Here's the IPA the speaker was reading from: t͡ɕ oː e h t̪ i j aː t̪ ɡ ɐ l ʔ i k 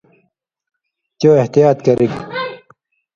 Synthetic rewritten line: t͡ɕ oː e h t̪ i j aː t̪ k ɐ ɾ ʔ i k